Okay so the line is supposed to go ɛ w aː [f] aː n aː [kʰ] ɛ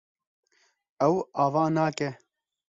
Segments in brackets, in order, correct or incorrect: incorrect, incorrect

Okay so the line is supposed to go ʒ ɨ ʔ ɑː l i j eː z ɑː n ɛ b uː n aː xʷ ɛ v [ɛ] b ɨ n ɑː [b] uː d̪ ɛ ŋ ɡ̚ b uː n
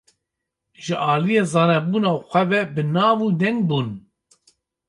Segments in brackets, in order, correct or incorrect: correct, incorrect

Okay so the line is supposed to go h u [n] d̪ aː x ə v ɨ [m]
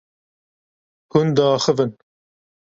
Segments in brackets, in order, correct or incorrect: correct, incorrect

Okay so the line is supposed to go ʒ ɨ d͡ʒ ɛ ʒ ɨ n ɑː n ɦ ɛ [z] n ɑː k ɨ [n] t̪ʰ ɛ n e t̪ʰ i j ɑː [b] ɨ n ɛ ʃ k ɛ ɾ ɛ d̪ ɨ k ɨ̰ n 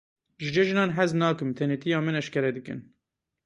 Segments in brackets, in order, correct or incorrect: correct, incorrect, incorrect

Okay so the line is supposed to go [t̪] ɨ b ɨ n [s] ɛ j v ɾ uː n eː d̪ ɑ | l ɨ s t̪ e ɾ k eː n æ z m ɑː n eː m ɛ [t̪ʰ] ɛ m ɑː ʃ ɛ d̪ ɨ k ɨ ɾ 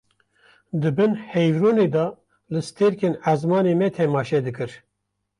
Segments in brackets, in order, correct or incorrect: incorrect, incorrect, correct

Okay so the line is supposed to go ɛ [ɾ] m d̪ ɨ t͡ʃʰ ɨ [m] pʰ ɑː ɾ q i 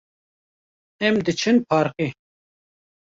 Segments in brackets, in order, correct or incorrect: incorrect, incorrect

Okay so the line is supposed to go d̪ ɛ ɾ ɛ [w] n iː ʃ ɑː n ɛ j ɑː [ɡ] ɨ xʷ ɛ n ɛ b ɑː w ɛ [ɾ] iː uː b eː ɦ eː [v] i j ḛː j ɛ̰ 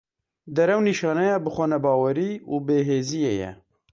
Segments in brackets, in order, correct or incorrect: correct, incorrect, correct, incorrect

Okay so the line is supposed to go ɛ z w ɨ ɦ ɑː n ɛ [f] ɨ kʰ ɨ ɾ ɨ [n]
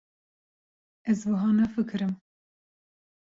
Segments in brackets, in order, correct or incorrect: correct, incorrect

